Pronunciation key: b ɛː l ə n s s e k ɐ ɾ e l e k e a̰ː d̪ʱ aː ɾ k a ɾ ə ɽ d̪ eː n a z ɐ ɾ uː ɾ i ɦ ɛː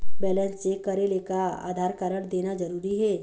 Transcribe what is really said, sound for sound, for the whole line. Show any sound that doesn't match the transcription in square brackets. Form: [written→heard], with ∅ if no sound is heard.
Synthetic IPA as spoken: b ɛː l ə n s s e k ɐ ɾ e l e k [e→a] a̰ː d̪ʱ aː ɾ k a ɾ ə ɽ d̪ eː n a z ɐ ɾ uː ɾ i ɦ ɛː